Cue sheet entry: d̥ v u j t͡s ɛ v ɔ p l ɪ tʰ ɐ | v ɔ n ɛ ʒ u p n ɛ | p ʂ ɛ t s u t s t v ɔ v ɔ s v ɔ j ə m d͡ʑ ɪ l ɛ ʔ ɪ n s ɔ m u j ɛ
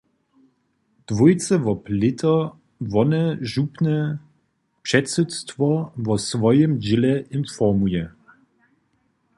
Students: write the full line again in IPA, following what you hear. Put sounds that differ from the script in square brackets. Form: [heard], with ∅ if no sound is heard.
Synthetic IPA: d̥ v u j t͡s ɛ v ɔ p l ɪ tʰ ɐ | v ɔ n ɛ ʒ u p n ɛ | p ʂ ɛ t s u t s t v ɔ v ɔ s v ɔ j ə m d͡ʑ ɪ l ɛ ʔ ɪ n [f] ɔ m u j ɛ